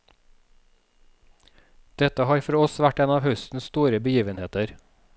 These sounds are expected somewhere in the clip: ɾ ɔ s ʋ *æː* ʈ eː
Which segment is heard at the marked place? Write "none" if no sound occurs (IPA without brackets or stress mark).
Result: æ